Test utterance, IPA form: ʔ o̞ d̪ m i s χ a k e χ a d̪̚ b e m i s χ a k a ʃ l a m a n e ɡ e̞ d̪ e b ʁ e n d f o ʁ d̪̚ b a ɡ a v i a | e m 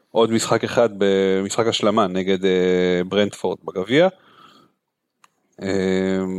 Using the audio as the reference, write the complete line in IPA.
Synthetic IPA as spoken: ʔ o̞ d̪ m i s χ a k e χ a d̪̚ b e m i s χ a k a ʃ l a m a n e ɡ e̞ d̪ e b ʁ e n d f o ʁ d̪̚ b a ɡ a v i a | e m